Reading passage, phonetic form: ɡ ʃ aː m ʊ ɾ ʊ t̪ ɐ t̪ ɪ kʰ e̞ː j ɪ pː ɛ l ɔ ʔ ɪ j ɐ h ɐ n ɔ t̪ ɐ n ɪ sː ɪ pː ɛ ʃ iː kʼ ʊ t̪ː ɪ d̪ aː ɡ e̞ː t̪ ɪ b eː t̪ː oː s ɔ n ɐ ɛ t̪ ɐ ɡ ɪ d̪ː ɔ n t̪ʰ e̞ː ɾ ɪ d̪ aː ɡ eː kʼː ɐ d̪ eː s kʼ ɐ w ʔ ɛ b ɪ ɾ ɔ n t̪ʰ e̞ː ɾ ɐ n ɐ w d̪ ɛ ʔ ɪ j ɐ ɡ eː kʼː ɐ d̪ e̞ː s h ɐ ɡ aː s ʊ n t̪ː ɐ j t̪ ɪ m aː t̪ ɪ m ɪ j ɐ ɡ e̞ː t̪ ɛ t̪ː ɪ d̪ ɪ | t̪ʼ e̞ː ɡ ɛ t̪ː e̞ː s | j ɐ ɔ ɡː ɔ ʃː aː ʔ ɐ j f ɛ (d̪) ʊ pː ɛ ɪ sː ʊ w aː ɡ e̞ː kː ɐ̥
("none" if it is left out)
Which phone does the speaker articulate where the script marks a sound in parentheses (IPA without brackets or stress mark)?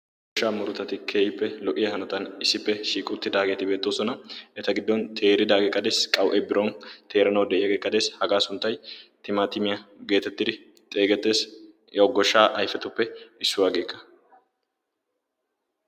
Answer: t̪